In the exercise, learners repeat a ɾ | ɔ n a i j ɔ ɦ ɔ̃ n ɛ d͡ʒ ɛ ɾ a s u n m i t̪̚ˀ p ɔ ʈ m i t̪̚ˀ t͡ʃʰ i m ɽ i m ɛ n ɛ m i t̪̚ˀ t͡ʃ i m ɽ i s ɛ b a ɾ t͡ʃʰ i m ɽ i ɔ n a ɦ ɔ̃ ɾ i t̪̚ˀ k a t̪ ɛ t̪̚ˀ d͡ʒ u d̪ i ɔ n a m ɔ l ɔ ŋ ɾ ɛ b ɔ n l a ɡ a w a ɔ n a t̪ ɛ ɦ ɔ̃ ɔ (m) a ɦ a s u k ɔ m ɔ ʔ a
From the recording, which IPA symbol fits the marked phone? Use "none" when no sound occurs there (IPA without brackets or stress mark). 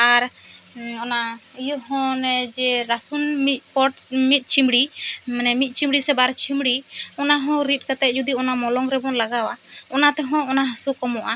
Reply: n